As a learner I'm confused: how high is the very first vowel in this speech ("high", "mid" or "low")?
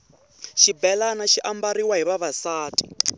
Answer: high